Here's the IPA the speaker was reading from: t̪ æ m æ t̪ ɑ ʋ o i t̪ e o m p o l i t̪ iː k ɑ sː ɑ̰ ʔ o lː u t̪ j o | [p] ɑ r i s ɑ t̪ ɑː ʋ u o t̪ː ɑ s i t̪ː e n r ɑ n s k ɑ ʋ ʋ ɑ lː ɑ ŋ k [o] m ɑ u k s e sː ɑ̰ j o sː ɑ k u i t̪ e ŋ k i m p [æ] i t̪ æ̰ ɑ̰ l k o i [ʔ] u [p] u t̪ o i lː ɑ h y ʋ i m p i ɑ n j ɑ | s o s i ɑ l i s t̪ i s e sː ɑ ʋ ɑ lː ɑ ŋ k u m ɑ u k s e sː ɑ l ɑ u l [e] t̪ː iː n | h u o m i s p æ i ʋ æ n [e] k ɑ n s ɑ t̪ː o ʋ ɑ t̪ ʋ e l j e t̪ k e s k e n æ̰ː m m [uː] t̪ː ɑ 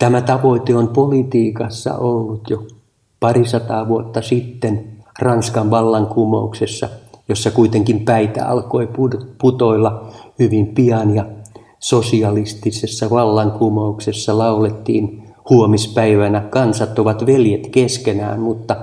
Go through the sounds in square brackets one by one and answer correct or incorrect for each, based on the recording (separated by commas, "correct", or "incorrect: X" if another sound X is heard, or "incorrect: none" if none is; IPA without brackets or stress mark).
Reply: correct, incorrect: u, correct, incorrect: p, correct, correct, incorrect: æ, incorrect: u